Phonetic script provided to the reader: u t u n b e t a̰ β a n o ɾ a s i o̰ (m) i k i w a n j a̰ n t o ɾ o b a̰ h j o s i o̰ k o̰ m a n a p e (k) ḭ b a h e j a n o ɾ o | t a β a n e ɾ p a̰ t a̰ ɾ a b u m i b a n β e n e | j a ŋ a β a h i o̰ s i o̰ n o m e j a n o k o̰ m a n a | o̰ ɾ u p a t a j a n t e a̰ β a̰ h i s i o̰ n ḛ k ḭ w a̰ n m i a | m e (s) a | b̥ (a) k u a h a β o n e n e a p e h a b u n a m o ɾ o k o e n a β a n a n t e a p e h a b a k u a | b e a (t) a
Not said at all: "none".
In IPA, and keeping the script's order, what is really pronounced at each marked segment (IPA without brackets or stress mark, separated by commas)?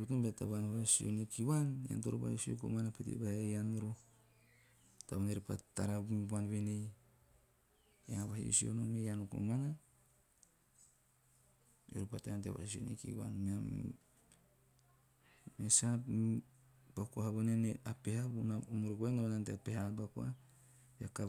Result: n, t, s, a, k